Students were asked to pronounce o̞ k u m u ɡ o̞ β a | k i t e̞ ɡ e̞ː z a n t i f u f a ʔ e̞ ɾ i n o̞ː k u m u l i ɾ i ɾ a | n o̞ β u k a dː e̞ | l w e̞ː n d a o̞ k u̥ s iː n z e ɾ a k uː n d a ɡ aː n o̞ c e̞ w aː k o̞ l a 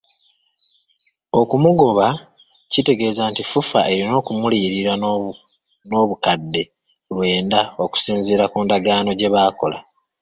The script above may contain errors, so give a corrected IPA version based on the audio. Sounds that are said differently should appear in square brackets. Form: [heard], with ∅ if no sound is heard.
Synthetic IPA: o̞ k u m u ɡ o̞ β a | [c] i t e̞ ɡ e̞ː z a n t i f u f a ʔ e̞ ɾ i n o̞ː k u m u l i ɾ i ɾ a | n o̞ β u k a dː e̞ | l w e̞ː n d a o̞ k u̥ s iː n z e ɾ a k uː n d a ɡ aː n o̞ [ɟ] e̞ [β] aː k o̞ l a